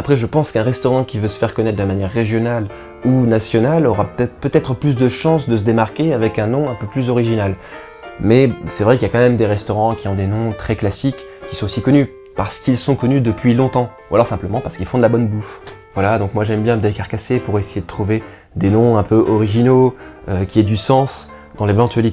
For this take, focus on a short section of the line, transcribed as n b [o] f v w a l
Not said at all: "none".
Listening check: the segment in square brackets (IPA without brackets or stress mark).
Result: u